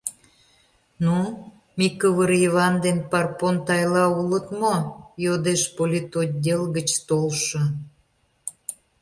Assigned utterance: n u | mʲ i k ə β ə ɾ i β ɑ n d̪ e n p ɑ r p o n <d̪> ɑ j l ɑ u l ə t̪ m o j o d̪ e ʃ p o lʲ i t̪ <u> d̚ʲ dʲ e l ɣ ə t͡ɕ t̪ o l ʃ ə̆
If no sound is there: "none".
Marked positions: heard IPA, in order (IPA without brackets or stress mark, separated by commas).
t̪, o